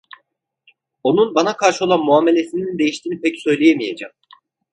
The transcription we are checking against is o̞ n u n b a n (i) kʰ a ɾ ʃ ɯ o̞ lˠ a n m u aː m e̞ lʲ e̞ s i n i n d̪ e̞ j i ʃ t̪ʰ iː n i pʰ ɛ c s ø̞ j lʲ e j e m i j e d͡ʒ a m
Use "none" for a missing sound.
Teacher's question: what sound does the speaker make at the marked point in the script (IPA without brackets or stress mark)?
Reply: a